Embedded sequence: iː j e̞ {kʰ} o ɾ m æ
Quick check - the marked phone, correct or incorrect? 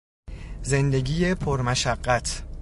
incorrect